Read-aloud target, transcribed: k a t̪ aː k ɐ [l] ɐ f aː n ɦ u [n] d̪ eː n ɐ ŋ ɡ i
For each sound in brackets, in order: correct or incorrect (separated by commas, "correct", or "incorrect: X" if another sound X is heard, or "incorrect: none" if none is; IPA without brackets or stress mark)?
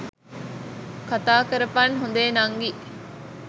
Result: incorrect: ɾ, correct